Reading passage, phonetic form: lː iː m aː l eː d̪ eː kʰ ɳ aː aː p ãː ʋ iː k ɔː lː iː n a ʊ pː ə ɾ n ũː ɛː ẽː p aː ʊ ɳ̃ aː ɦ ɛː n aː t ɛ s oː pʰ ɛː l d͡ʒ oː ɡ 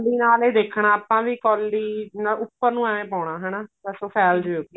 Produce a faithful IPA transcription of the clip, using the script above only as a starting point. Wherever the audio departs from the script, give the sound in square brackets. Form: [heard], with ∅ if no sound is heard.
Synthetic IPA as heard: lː iː [n] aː l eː d̪ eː kʰ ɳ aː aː p ãː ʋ iː k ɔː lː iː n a ʊ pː ə ɾ n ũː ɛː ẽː p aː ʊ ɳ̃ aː ɦ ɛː n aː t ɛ s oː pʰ ɛː l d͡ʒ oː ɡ